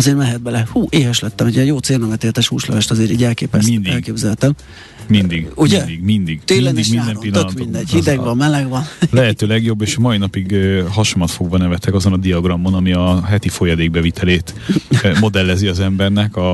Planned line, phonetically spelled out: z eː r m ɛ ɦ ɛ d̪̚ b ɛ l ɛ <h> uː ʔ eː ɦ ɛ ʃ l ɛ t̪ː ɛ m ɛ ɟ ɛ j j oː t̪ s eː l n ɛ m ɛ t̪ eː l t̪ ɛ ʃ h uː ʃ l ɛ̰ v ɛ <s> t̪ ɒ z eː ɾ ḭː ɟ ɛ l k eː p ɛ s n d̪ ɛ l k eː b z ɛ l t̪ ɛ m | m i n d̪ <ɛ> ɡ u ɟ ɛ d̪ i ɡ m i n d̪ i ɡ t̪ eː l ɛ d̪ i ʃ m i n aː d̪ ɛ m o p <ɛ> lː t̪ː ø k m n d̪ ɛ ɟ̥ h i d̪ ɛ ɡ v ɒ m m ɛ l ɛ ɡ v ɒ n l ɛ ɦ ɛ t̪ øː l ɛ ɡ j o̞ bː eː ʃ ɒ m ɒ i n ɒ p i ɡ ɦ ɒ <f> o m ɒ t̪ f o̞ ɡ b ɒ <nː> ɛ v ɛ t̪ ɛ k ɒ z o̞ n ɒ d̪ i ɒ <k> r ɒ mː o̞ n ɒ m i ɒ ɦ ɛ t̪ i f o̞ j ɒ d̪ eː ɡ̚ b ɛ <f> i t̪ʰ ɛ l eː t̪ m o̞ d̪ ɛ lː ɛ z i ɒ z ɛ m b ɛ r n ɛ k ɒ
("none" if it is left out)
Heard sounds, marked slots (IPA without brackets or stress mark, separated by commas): h, ʃ, i, i, ʃ, n, ɡ, v